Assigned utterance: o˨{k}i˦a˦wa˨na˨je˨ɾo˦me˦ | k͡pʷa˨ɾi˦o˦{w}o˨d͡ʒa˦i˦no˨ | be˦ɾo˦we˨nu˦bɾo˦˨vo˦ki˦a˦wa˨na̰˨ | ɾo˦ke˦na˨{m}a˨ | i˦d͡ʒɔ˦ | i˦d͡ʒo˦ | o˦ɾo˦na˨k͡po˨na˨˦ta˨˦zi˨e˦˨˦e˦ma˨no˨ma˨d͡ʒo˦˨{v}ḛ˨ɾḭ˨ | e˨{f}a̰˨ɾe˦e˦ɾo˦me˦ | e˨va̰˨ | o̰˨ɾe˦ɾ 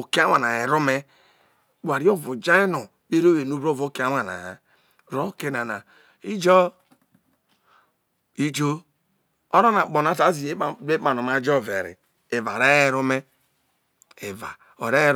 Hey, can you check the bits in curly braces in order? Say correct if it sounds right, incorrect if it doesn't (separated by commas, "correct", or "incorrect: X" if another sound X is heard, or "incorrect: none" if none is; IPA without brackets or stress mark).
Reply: correct, incorrect: v, incorrect: n, correct, incorrect: v